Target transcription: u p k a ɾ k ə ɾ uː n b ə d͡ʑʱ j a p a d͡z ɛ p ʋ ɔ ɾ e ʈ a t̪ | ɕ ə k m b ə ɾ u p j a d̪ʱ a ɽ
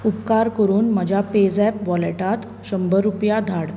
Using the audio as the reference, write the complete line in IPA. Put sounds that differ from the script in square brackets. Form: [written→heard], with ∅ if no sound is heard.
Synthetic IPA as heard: u p k a ɾ k ə ɾ uː n [b→m] ə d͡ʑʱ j a p [a→e] d͡z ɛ p ʋ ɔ [ɾ→l] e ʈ a t̪ | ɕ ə [k→∅] m b ə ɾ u p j a d̪ʱ a ɽ